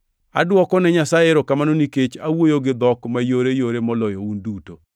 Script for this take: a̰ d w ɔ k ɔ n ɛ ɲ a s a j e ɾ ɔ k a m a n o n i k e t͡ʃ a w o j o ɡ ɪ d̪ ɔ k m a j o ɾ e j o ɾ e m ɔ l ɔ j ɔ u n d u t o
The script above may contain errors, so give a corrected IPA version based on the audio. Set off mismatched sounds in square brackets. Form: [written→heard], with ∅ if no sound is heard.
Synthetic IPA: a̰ d w ɔ k ɔ n ɛ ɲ a s a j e ɾ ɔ k a m a n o n i k e t͡ʃ a w o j o ɡ ɪ d̪ ɔ k m a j o ɾ e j o ɾ e m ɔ l ɔ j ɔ u n d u t o